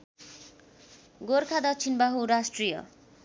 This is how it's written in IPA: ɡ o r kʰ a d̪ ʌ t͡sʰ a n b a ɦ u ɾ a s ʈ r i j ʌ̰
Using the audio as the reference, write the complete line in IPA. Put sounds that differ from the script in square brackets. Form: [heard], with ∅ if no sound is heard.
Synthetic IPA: ɡ o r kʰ a d̪ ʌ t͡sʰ [i] n b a ɦ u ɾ a s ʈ r i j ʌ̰